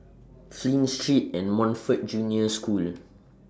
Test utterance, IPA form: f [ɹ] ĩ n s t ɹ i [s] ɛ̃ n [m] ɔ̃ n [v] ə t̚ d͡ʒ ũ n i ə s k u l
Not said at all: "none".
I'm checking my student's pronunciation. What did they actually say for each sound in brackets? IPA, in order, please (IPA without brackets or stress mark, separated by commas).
l, t, m, f